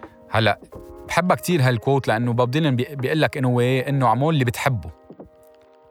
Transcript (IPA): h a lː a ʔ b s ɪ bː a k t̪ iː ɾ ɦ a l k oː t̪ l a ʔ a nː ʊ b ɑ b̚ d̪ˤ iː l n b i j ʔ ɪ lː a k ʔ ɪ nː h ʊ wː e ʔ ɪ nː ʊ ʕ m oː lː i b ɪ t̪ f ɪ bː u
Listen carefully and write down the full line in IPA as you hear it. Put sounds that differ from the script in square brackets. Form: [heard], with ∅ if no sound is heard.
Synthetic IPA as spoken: h a lː a ʔ b [ħ] ɪ bː a k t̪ iː ɾ ɦ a l k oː t̪ l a ʔ a nː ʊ b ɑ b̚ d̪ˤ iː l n b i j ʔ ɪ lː a k ʔ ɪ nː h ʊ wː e ʔ ɪ nː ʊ ʕ m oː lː i b ɪ t̪ [ħ] ɪ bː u